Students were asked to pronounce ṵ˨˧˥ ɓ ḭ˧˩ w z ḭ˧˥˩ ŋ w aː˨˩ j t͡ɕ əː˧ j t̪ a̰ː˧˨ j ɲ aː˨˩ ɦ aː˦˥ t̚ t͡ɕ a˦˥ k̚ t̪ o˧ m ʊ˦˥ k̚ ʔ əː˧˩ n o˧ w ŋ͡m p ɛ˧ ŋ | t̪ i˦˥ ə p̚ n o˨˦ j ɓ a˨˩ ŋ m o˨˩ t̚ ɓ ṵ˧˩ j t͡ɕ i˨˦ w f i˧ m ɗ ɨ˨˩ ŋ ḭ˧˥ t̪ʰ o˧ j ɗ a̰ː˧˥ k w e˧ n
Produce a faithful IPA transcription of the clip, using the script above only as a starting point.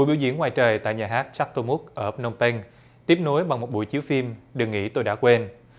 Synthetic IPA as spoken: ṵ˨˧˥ ɓ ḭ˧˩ w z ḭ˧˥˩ ŋ w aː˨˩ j t͡ɕ əː˨˩ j t̪ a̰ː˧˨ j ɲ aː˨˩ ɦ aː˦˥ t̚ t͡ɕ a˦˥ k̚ t̪ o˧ m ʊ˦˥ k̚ ʔ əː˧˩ n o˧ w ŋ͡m p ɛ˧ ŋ | t̪ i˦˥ ə p̚ n o˨˦ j ɓ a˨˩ ŋ m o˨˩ t̚ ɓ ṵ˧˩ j t͡ɕ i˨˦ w f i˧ m ɗ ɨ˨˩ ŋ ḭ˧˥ t̪ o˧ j ɗ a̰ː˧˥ k w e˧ n